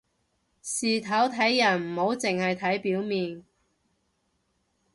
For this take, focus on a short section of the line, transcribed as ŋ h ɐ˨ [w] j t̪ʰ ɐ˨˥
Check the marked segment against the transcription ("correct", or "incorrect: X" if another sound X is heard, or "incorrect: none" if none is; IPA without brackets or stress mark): incorrect: none